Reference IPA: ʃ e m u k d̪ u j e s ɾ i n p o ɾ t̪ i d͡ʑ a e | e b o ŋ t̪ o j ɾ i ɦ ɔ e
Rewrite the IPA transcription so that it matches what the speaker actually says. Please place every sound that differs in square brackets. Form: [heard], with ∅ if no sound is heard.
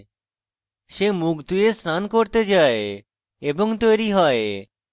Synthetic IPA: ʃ e m u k d̪ u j e s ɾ [a] n [k] o ɾ t̪ [e] d͡ʑ a e | e b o ŋ t̪ o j ɾ i ɦ ɔ e